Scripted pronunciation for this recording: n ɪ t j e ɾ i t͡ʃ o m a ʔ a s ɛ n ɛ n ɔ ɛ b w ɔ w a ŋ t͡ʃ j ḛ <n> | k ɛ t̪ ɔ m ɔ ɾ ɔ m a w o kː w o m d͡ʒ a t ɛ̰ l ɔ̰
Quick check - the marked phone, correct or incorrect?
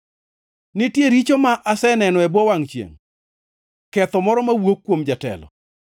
incorrect